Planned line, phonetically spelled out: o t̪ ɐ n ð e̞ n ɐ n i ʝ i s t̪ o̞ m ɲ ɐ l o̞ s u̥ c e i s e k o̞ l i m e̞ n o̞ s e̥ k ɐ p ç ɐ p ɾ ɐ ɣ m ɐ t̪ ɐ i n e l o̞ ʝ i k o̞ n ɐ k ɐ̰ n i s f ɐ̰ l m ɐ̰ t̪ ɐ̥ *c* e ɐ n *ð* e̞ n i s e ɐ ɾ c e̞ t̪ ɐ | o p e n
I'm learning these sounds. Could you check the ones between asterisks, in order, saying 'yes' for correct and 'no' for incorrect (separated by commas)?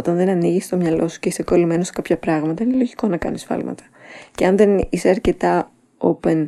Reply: yes, yes